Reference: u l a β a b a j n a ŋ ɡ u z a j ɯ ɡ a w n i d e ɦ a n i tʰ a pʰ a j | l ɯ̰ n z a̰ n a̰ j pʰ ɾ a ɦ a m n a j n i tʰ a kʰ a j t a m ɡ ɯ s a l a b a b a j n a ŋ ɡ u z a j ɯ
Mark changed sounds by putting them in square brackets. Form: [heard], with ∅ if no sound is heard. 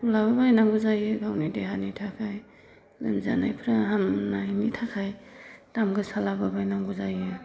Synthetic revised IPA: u l a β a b a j n a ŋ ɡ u z a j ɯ ɡ a w n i d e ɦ a n i tʰ a [kʰ] a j | l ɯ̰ n z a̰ n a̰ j pʰ ɾ a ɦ a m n a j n i tʰ a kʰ a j t a m ɡ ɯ s a l a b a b a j n a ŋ ɡ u z a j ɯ